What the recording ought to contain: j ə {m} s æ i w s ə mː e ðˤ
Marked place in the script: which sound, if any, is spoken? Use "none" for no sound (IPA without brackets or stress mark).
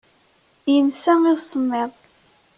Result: n